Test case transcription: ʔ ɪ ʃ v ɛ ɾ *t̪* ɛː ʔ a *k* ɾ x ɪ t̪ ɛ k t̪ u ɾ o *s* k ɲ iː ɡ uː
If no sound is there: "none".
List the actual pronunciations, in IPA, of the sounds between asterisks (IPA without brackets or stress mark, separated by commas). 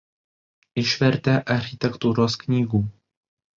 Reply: t̪, none, s